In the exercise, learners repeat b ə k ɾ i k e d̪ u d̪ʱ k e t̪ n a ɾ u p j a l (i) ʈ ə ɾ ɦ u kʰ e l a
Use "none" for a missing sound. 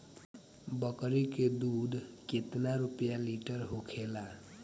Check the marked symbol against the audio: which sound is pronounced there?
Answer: i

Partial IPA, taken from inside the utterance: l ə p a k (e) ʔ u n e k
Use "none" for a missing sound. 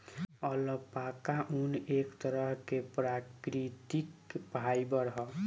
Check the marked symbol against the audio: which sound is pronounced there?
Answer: a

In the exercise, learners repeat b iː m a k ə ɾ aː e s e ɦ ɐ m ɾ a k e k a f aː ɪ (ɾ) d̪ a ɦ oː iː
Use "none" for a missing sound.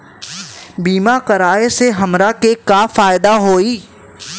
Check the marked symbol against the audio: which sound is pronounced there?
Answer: none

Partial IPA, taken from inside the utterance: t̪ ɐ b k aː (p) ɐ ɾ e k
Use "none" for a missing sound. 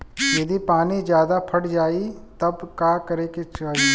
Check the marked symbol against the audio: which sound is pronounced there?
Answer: k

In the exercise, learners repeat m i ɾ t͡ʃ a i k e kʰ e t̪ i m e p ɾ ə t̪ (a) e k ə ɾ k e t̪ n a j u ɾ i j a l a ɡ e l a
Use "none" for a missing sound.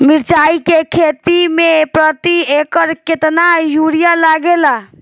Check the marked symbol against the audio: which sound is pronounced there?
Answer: i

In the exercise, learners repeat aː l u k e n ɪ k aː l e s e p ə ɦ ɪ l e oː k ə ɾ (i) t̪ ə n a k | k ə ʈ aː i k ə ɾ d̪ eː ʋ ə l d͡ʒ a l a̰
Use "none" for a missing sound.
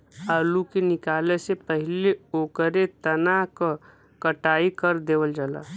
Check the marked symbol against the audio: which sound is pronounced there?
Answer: e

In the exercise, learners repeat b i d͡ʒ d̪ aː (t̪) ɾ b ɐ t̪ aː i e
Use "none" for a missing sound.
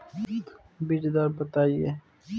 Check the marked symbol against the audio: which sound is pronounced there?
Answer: none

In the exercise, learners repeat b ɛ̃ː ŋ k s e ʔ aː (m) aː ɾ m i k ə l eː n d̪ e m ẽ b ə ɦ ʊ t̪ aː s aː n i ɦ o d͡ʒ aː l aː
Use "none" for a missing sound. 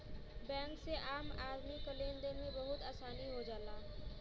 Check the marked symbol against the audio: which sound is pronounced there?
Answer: m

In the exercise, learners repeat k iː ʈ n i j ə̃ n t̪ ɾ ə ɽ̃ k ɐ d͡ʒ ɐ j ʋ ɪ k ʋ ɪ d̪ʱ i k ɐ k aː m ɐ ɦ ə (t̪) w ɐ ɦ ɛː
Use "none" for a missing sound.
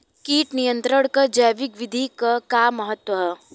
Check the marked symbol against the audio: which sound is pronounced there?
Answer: t̪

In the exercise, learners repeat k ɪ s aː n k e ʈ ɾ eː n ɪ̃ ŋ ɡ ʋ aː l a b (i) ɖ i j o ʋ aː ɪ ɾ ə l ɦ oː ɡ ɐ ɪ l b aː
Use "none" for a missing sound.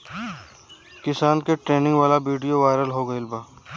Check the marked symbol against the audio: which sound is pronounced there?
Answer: iː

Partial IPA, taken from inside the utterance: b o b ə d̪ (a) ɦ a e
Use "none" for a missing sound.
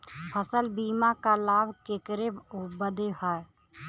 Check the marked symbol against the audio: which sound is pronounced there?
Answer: e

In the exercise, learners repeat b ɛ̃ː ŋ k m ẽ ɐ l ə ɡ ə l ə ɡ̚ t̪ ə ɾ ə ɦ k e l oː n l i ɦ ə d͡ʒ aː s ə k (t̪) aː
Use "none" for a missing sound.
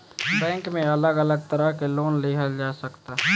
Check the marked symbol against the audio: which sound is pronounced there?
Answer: t̪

